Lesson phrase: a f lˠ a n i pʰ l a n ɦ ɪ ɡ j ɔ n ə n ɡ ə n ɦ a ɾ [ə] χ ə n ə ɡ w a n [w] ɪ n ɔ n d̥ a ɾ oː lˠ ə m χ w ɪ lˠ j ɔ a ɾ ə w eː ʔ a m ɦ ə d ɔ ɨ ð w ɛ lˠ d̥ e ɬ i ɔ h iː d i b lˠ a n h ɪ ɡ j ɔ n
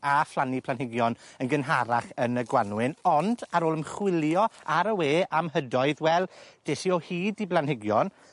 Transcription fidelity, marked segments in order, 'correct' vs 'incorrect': incorrect: a, correct

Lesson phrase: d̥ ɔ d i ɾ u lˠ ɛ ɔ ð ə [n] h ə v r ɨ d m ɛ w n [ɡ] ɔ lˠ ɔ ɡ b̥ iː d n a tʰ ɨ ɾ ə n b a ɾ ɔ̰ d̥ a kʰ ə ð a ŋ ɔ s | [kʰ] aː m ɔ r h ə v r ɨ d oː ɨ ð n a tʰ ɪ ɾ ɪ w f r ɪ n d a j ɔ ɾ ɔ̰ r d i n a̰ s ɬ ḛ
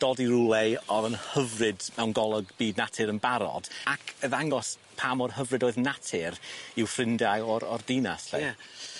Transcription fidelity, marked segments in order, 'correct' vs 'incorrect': correct, correct, incorrect: pʰ

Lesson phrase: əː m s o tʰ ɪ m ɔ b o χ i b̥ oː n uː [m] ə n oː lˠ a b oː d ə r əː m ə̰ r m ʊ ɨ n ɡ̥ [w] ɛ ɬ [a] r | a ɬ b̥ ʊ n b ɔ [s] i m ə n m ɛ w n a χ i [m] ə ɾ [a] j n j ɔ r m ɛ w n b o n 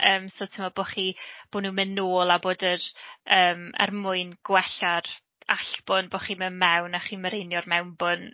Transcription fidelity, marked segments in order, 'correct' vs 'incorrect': correct, correct, correct, incorrect: χ, correct, incorrect: e

